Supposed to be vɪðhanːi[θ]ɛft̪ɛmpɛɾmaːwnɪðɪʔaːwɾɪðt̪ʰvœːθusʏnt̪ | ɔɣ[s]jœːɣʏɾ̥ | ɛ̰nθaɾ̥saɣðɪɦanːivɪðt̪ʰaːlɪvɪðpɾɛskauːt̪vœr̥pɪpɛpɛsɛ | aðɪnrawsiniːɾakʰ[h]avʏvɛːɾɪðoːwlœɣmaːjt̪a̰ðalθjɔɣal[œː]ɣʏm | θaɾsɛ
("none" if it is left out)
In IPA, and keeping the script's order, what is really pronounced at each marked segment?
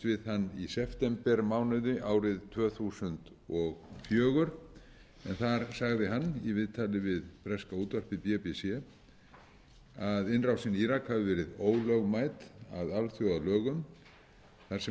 s, f, h, œː

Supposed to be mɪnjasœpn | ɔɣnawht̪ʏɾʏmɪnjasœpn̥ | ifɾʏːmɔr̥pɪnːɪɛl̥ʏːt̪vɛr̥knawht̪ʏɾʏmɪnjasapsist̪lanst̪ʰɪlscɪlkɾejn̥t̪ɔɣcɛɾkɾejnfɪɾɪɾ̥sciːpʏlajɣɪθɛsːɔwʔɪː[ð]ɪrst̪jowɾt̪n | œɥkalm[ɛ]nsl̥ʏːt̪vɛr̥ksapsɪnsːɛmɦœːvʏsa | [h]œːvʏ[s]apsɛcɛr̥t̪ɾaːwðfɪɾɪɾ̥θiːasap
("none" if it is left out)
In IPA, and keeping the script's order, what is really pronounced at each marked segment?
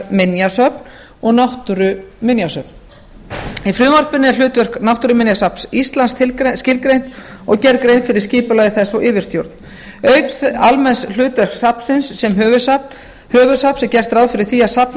v, ɛ, h, s

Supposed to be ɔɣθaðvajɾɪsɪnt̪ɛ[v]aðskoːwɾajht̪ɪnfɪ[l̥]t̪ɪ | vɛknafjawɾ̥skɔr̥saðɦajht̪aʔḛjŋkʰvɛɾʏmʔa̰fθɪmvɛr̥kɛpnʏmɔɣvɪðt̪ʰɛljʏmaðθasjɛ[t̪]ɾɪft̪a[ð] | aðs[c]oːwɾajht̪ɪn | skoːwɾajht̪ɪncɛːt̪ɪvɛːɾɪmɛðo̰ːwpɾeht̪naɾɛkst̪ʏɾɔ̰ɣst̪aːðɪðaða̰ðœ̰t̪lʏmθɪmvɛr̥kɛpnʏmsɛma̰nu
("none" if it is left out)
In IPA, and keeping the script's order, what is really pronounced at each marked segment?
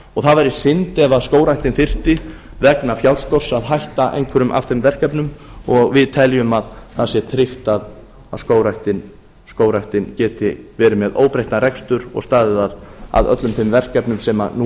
v, r̥, t̪ʰ, ð, k

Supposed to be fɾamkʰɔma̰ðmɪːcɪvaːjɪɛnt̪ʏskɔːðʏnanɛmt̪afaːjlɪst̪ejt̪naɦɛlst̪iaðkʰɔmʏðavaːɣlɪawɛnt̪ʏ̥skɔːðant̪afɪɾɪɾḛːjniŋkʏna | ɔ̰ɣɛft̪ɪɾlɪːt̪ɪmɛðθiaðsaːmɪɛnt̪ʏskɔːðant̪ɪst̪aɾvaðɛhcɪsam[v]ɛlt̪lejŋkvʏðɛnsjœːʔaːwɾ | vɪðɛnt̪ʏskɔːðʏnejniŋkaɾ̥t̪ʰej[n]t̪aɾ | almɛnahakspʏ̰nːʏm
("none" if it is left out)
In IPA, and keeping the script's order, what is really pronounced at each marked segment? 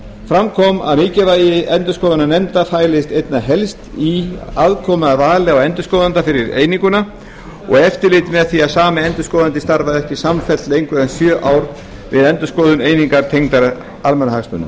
f, ŋ

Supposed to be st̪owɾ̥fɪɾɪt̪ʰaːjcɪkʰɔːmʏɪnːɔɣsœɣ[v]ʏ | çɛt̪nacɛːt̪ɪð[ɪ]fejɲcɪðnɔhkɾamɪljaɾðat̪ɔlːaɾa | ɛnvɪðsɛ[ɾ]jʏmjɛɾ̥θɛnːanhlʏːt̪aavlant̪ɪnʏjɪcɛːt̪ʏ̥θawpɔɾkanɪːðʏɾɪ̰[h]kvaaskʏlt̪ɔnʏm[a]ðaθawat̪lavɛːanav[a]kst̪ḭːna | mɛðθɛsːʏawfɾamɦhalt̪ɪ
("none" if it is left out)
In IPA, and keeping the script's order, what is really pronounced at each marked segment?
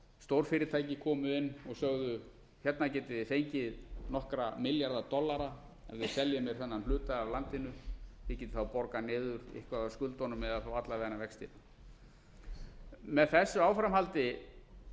ð, ɪ, l, h, ɛ, ɛ

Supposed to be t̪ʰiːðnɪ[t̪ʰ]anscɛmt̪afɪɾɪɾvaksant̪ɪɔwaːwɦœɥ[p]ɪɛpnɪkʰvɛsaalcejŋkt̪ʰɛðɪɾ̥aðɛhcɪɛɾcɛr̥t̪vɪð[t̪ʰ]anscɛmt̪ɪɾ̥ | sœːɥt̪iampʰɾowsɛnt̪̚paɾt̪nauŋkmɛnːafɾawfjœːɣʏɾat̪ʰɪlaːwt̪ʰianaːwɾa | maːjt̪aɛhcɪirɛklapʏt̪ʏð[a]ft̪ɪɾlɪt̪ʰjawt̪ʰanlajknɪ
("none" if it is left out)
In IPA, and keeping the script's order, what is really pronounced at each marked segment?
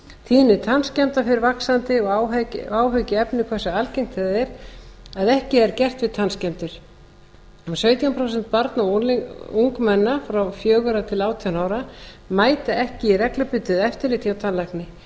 t̪ʰ, c, t̪ʰ, ɛ

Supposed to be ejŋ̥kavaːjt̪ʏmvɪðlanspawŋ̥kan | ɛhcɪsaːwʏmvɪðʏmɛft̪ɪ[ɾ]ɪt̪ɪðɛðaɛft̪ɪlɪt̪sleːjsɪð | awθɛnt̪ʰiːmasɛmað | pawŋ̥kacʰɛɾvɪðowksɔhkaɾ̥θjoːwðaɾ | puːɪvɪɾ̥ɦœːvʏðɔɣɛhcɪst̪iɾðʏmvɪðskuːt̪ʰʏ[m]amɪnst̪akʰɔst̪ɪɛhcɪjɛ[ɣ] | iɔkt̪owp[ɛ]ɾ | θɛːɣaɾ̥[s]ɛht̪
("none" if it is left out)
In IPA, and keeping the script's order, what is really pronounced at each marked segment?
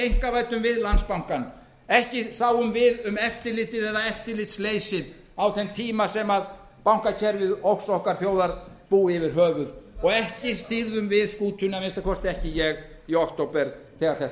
l, n, ɣ, ɛ, θ

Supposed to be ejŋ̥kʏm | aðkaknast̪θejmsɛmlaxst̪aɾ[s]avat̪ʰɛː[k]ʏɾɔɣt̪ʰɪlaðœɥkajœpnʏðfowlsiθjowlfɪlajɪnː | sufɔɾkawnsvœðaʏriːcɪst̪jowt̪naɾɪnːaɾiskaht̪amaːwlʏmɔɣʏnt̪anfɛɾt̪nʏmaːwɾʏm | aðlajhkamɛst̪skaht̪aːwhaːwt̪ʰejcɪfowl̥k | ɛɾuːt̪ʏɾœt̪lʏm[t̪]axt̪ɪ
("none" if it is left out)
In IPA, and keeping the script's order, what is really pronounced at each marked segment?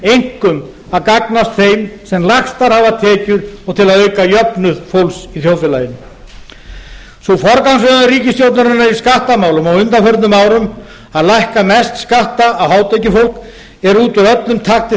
h, c, t̪ʰ

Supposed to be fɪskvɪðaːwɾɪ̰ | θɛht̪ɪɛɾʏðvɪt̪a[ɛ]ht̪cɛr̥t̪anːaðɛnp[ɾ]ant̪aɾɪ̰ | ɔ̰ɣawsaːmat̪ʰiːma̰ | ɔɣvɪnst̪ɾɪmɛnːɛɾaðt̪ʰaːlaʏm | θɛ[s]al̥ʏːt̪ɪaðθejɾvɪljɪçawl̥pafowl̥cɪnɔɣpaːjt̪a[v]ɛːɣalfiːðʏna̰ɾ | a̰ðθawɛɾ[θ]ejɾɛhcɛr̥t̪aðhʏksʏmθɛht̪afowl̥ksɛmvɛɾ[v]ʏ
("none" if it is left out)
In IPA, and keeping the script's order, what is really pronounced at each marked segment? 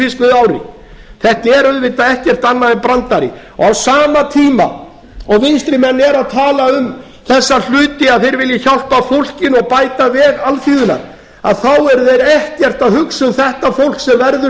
ɛ, ɾ, sː, v, ð, ð

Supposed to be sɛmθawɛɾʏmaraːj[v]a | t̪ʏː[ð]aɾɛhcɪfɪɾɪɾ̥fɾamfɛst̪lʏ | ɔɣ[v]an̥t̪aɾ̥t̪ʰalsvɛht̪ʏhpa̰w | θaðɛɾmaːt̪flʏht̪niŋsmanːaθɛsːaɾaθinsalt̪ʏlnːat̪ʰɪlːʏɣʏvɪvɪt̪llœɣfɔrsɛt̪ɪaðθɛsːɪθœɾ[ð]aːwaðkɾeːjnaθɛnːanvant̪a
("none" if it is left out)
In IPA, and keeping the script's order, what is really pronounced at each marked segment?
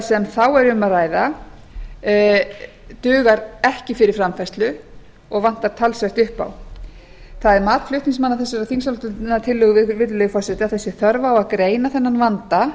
ð, ɣ, v, v

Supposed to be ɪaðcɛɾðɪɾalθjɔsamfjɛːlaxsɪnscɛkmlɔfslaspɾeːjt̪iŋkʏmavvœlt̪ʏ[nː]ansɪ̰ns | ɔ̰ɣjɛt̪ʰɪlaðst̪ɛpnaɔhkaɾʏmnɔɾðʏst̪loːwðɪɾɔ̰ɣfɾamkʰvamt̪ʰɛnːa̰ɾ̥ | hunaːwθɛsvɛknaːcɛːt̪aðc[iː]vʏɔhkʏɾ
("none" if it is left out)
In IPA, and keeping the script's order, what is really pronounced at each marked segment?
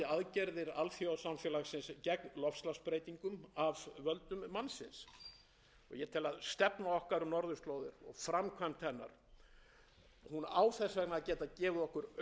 mː, ɛː

